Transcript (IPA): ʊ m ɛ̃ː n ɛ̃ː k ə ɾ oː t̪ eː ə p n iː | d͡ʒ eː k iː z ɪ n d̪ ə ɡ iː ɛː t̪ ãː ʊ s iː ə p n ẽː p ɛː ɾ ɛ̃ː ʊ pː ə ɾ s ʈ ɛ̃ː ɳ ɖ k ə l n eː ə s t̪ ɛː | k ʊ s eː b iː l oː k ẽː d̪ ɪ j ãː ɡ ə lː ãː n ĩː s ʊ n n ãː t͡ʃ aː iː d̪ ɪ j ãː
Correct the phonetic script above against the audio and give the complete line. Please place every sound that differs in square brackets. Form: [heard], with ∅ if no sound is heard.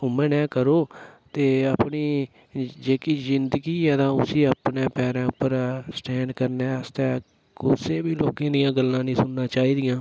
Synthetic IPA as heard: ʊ m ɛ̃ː n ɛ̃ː k ə ɾ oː t̪ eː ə p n iː | d͡ʒ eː k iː z ɪ n d̪ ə ɡ iː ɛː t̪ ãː ʊ s iː ə p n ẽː p ɛː ɾ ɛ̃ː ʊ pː ə ɾ s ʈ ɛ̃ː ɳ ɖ k ə [ɾ] n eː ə s t̪ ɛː | k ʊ s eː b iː l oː k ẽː d̪ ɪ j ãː ɡ ə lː ãː n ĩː s ʊ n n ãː t͡ʃ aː iː d̪ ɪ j ãː